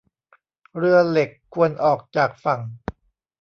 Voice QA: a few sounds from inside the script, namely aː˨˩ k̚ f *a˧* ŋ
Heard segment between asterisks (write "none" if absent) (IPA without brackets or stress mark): a˨˩